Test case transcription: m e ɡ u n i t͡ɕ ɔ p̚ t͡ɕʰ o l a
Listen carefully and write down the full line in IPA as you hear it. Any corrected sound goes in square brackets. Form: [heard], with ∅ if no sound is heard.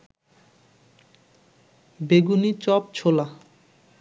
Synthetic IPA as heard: [b] e ɡ u n i t͡ɕ ɔ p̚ t͡ɕʰ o l a